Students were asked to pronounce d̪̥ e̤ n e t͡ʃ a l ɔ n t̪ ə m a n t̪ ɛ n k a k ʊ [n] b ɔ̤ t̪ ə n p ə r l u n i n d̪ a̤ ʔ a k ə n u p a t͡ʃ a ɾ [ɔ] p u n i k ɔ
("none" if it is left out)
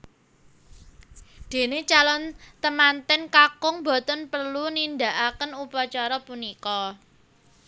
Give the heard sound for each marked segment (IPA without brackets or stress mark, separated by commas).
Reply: ŋ, ɔ